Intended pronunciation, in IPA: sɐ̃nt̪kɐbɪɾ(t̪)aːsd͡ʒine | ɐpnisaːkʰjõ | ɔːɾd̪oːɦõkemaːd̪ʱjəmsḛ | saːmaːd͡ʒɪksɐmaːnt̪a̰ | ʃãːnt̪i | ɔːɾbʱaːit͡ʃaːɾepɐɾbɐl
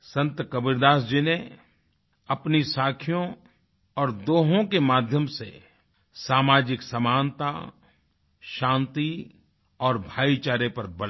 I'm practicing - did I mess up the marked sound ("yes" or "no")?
yes